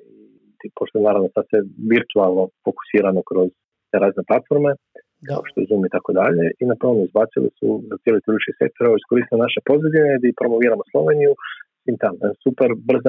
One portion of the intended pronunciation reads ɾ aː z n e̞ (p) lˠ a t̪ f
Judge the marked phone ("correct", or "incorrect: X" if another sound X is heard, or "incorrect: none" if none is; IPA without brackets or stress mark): correct